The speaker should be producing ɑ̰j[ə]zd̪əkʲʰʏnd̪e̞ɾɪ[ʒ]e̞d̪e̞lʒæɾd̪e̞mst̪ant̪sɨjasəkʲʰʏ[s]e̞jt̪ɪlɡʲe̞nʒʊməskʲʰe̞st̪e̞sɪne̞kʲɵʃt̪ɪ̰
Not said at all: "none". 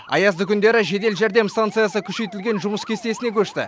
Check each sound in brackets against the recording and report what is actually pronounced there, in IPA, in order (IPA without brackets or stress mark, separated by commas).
ɑ, ʒ, ʃ